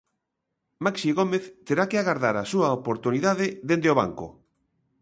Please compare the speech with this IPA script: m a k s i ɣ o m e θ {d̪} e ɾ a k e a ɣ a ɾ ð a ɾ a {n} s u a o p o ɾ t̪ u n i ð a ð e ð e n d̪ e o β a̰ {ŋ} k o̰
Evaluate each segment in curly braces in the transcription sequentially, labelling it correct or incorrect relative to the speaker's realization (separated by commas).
incorrect, incorrect, correct